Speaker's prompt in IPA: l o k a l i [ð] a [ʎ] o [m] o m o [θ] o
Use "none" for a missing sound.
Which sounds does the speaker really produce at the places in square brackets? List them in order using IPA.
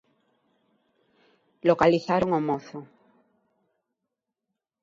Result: θ, ɾ, ŋ, θ

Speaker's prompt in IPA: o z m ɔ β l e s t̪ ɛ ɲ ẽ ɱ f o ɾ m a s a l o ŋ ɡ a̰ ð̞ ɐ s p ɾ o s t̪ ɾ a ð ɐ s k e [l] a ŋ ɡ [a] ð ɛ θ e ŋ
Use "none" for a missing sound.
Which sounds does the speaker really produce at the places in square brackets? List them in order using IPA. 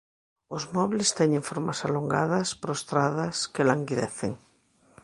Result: l, i

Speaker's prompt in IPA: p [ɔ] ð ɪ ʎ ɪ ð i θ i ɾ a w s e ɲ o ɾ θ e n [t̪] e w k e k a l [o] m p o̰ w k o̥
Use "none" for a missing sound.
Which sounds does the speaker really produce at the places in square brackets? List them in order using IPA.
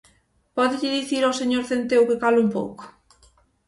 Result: ɔ, t̪, u

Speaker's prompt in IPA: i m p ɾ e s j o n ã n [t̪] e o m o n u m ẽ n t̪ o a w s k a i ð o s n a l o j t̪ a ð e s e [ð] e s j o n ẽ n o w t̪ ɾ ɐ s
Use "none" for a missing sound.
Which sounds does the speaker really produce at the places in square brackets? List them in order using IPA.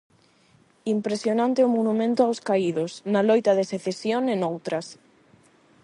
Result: t̪, θ

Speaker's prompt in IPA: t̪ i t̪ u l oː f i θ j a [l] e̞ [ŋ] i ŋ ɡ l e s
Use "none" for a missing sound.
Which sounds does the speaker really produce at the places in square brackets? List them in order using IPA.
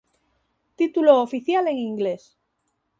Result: l, ŋ

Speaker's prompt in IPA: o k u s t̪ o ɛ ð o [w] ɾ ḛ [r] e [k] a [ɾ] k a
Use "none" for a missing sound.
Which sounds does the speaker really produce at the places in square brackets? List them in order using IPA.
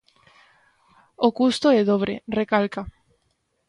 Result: β, r, k, l

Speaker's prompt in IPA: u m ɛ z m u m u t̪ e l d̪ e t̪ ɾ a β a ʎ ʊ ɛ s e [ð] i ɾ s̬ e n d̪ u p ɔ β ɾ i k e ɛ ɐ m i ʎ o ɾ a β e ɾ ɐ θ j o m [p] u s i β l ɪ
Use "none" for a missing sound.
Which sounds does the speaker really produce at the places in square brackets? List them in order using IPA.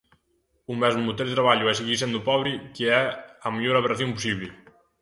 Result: ɣ, p

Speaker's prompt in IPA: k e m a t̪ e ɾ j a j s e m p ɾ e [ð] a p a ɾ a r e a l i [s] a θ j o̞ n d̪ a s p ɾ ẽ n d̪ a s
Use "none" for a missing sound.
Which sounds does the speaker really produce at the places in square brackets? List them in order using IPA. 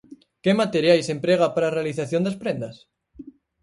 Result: ɣ, θ

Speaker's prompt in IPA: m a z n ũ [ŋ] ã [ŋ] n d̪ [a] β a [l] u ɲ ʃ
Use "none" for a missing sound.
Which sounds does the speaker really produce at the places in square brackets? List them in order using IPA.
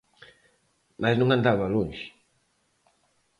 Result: ŋ, none, a, l

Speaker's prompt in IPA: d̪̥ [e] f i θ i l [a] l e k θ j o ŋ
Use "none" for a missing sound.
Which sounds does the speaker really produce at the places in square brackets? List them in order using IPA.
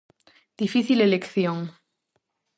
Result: i, e

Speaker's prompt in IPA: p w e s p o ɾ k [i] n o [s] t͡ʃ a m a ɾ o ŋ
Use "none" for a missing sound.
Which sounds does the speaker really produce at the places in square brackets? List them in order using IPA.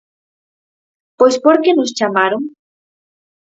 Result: e, s

